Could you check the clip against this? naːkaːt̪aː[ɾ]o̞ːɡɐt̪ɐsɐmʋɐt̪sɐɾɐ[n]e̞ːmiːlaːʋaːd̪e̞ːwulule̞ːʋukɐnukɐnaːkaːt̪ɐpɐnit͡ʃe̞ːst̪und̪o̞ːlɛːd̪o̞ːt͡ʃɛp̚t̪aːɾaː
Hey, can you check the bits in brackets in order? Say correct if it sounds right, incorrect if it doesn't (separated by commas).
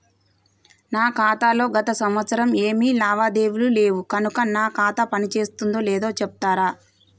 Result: incorrect, incorrect